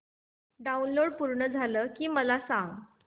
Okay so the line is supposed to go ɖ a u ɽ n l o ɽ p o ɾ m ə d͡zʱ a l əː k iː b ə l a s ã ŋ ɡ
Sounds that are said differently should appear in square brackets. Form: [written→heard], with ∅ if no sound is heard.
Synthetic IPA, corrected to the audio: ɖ a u [ɽ→∅] n l o ɽ p [o→u] ɾ [m→ɳ] ə d͡zʱ a l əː k iː [b→m] ə l a s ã ŋ ɡ